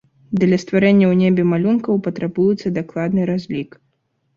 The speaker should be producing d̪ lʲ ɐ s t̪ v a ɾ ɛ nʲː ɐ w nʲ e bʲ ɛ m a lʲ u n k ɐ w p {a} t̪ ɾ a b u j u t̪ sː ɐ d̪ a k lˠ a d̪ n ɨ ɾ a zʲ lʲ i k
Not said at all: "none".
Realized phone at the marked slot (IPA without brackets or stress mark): ɐ